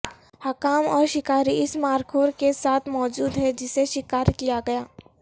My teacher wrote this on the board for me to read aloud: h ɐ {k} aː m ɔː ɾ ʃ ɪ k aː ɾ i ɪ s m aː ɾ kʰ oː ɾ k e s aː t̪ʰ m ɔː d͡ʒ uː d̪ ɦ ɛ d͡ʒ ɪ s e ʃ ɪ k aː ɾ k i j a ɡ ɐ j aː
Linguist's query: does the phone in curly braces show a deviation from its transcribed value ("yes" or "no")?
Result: no